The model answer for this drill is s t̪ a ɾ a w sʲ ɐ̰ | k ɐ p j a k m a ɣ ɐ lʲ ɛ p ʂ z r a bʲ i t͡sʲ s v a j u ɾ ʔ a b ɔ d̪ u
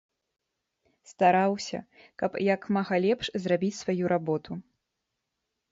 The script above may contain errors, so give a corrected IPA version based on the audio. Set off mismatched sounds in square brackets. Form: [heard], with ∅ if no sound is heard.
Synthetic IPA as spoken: s t̪ a ɾ a w sʲ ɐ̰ | k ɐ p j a k m a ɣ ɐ lʲ ɛ p ʂ z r a bʲ i t͡sʲ s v a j u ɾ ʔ a b ɔ [t̪] u